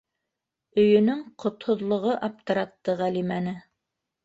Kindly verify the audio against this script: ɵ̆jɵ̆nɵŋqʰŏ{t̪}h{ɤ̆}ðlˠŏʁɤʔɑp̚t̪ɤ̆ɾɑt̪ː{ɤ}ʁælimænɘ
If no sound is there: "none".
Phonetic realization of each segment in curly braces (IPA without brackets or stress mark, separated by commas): t̪, ŏ, ɤ